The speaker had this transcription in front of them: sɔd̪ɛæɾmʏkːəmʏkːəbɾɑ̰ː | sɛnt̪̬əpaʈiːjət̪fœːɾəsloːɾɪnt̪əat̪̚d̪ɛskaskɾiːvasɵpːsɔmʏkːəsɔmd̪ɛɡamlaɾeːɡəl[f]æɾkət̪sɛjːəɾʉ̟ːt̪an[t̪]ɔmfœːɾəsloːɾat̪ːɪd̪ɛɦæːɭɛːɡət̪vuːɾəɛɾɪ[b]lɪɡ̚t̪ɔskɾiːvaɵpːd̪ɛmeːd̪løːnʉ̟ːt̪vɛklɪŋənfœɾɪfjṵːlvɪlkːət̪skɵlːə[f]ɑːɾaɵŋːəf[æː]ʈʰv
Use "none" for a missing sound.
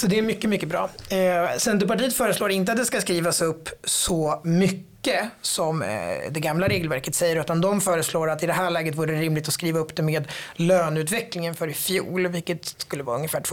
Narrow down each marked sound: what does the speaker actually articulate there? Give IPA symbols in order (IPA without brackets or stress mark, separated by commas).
v, d̪, m, v, æː